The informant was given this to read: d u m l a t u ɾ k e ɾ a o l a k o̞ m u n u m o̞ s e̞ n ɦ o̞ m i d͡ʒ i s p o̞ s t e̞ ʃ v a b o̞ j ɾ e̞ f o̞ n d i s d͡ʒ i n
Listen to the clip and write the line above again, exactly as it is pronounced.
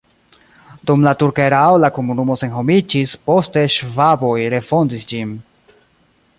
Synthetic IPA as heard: d u m l a t u ɾ k e ɾ a o l a k o̞ m u n u m o̞ s e̞ n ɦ o̞ m i d͡ʒ i s p o̞ s t e̞ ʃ v a b o̞ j ɾ e̞ f o̞ n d i s d͡ʒ i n